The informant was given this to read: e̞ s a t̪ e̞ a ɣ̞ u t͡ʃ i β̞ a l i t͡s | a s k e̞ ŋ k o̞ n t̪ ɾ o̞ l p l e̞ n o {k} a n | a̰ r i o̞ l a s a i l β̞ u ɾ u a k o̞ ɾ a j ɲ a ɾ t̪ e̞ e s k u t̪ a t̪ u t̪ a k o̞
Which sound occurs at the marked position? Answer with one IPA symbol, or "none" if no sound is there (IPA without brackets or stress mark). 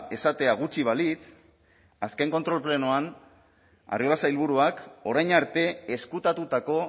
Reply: none